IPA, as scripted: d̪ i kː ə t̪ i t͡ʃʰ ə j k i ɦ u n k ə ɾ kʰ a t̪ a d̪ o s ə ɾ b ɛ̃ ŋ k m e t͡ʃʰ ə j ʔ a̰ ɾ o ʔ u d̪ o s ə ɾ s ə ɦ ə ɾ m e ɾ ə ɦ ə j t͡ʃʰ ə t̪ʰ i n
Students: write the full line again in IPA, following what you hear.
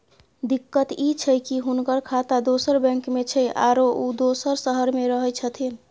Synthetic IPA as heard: d̪ i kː ə t̪ i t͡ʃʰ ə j k i ɦ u n k ə ɾ kʰ a t̪ a d̪ o s ə ɾ b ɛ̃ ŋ k m e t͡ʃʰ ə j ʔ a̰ ɾ o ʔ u d̪ o s ə ɾ s ə ɦ ə ɾ m e ɾ ə ɦ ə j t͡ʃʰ ə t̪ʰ i n